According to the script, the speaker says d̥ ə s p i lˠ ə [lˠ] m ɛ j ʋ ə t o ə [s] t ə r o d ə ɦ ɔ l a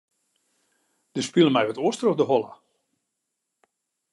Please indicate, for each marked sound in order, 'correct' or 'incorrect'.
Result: incorrect, correct

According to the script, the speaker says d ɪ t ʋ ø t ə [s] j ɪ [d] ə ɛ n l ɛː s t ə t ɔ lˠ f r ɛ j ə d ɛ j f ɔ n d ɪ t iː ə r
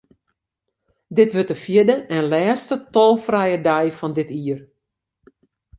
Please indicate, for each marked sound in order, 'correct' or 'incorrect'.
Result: incorrect, correct

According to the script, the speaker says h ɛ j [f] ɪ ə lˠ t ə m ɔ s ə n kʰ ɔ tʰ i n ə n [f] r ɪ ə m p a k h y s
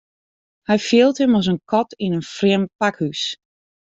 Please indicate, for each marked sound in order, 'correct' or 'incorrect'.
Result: correct, correct

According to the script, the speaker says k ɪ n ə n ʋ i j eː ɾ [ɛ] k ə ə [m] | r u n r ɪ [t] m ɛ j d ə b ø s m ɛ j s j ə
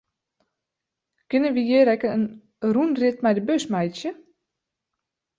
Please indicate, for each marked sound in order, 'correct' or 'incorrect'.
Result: correct, incorrect, correct

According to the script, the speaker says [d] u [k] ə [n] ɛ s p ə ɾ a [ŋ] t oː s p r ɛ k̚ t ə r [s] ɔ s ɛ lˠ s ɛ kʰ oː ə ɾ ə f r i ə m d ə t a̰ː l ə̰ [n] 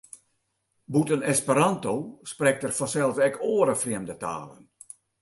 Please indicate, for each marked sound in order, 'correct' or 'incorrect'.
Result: incorrect, incorrect, correct, incorrect, incorrect, correct

